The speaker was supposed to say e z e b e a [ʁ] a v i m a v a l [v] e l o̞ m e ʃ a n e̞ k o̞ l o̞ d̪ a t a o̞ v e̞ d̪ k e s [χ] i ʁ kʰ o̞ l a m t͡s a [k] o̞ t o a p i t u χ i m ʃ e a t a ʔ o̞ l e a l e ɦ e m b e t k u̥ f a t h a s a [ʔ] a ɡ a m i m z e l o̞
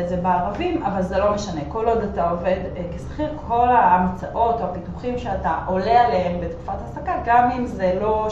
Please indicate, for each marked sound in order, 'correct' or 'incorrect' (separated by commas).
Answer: correct, incorrect, correct, incorrect, incorrect